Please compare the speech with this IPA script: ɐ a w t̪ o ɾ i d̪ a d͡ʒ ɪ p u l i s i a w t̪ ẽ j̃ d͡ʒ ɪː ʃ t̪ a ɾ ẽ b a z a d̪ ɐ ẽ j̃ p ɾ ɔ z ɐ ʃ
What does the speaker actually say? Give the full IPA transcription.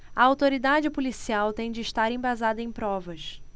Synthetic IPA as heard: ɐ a w t̪ o ɾ i d̪ a d͡ʒ ɪ p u l i s i a w t̪ ẽ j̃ d͡ʒ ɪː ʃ t̪ a ɾ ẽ b a z a d̪ ɐ ẽ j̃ p ɾ ɔ v ɐ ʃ